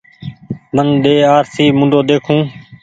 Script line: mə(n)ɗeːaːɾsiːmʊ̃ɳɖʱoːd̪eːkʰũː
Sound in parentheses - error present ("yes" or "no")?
no